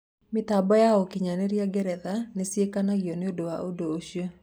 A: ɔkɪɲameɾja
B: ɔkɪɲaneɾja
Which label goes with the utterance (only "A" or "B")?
B